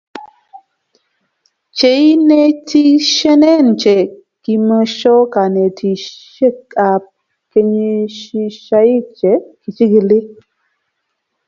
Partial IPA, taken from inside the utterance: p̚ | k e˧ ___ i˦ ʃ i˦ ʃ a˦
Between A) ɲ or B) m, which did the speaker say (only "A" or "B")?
A